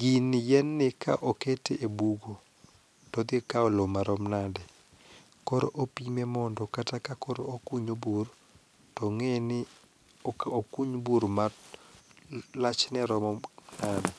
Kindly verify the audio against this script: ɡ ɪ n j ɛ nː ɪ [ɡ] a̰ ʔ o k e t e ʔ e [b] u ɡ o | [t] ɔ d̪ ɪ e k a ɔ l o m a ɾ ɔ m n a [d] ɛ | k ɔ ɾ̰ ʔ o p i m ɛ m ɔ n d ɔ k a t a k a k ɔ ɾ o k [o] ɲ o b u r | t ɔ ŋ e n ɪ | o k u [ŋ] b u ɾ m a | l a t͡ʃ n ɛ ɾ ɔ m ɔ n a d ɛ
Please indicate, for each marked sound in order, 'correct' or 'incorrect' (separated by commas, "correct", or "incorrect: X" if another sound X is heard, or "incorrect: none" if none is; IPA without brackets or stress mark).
incorrect: k, correct, correct, correct, incorrect: u, incorrect: ɲ